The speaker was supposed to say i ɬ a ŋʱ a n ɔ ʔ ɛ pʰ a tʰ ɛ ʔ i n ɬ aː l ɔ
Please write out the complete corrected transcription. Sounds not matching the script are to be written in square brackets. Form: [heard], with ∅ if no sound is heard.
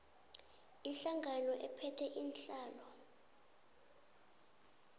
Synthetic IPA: i ɬ a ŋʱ a n ɔ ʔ ɛ pʰ [ɛ] tʰ ɛ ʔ i n ɬ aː l ɔ